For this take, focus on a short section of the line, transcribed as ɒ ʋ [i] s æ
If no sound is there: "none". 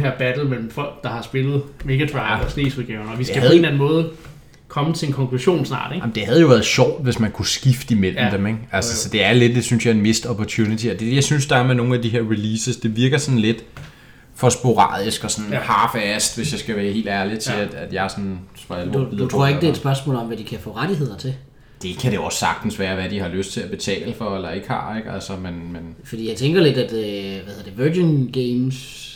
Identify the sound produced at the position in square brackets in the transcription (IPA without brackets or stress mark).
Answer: i